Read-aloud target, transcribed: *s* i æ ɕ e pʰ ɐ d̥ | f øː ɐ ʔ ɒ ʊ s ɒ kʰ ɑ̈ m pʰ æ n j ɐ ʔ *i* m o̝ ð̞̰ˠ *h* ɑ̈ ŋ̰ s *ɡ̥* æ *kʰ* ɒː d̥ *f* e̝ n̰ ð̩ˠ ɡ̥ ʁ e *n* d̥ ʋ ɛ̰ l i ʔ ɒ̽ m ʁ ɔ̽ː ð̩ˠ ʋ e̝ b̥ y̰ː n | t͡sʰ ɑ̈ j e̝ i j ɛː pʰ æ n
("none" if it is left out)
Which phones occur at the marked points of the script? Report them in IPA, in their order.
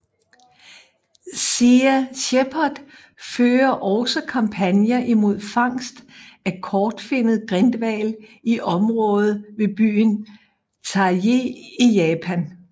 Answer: s, i, f, d̥, kʰ, f, n

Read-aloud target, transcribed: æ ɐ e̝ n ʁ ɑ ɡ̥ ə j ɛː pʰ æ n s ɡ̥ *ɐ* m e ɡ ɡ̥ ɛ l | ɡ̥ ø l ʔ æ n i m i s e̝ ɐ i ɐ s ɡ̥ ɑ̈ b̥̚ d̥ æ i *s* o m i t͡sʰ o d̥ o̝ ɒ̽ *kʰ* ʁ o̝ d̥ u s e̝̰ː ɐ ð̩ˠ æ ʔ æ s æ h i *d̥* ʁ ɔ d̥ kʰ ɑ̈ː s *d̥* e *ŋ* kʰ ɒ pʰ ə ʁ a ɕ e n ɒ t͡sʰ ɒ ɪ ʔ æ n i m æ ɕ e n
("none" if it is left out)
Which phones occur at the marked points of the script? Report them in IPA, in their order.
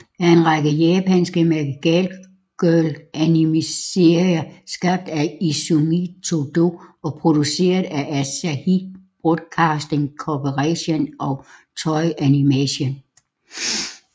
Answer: ə, s, pʰ, b̥, d̥, ŋ

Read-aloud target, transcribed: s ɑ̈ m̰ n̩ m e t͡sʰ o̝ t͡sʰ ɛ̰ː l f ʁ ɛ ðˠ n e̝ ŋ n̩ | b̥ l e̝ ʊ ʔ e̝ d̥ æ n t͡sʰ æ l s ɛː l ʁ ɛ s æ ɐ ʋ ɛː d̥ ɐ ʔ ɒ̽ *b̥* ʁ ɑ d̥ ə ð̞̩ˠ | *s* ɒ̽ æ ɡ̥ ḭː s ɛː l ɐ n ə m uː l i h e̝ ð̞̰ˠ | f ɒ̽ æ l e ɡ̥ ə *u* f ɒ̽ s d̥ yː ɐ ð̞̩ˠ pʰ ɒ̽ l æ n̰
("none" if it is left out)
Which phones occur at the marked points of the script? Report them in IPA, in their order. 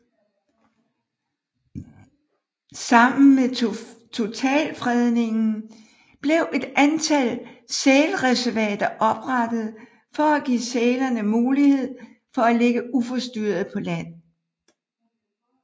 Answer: b̥, f, u

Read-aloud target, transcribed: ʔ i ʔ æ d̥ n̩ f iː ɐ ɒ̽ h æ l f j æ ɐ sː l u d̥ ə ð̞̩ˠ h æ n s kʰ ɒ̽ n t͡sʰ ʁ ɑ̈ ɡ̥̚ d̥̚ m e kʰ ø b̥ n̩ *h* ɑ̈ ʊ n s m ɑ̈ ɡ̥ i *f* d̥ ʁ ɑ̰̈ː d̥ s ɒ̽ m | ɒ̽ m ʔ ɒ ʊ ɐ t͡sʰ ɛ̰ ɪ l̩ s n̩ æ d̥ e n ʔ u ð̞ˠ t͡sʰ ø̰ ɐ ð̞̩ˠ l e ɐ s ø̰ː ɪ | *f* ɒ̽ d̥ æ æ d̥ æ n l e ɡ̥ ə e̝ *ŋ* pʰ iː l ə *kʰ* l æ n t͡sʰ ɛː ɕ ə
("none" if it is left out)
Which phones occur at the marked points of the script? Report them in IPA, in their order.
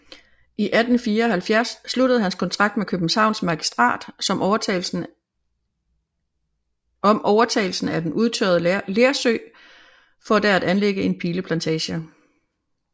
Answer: s, s, f, n, pʰ

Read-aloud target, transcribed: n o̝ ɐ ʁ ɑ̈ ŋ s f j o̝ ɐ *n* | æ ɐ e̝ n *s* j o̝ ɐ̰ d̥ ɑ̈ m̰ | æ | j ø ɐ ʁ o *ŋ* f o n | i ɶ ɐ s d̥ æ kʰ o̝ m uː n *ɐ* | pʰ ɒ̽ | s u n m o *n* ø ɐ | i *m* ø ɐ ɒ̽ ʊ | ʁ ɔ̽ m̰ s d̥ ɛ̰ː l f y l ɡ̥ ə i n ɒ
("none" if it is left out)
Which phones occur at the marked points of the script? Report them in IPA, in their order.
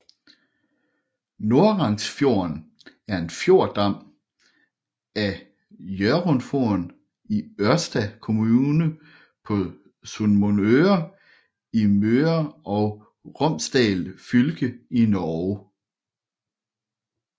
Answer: n, f, n, ə, n, m

